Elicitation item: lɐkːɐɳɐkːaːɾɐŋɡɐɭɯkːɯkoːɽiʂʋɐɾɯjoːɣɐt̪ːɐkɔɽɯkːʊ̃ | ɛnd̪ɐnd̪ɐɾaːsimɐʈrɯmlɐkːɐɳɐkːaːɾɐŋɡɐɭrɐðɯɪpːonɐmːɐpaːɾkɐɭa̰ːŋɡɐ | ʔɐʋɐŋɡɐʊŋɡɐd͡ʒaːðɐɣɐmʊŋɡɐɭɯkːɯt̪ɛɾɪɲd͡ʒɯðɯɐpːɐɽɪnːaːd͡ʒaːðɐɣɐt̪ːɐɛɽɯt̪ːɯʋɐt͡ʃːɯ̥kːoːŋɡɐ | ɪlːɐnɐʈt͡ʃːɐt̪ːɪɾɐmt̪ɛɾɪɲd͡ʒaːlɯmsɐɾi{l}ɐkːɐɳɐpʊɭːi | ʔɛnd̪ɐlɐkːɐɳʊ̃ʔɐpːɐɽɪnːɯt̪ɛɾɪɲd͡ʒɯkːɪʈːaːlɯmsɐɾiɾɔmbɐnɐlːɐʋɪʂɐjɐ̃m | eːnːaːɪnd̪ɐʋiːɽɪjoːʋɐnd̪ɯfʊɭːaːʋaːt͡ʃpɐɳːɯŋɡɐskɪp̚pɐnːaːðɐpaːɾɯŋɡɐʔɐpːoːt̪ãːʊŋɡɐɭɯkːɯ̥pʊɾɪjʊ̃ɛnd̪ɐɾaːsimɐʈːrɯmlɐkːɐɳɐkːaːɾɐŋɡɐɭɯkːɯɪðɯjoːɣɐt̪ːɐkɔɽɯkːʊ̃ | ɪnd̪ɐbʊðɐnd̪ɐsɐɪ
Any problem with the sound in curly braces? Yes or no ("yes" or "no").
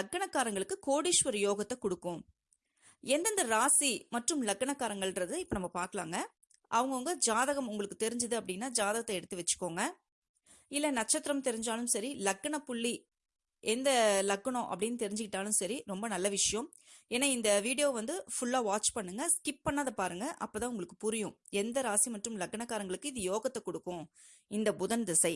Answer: no